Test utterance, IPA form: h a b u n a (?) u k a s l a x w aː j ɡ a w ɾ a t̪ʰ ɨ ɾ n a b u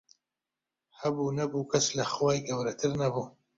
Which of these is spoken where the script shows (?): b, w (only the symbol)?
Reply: b